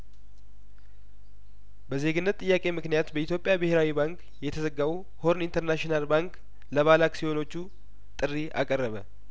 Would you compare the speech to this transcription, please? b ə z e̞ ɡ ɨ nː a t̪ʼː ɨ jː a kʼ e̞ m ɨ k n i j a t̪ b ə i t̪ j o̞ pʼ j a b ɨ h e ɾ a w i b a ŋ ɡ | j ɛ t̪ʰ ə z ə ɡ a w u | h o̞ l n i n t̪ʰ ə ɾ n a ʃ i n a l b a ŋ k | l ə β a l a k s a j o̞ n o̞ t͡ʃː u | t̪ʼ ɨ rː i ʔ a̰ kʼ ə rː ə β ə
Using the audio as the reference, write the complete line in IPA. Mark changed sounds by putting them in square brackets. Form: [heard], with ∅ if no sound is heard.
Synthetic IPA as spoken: b ə z e̞ ɡ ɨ nː [ə] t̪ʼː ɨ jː a kʼ e̞ m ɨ k n i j a t̪ b ə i t̪ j o̞ pʼ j a b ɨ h e ɾ a w i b a ŋ [k] | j ɛ t̪ʰ ə z ə ɡ a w u | h o̞ [ɾ] n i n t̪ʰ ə ɾ n a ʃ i n a l b a ŋ k | l ə β a l a k s [i] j o̞ n o̞ t͡ʃː u | t̪ʼ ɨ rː i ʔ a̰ kʼ ə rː ə β ə